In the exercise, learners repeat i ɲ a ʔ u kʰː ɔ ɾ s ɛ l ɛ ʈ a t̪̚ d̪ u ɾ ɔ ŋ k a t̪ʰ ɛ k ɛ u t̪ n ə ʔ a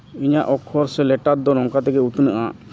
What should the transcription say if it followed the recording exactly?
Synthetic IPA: i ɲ a ʔ ɔ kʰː ɔ ɾ s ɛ l ɛ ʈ a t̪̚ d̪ ɔ ɾ ɔ ŋ k a t̪ ɛ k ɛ u t̪ n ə ʔ a